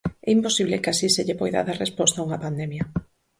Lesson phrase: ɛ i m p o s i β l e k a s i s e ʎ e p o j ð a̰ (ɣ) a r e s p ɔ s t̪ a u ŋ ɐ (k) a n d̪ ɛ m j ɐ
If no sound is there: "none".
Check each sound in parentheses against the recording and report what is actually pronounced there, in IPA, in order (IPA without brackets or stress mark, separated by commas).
ð, p